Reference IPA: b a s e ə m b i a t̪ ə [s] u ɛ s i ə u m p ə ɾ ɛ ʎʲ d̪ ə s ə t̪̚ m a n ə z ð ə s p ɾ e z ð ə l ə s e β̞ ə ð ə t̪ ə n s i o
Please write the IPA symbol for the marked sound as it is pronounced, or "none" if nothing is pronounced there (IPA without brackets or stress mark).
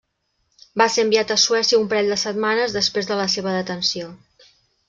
s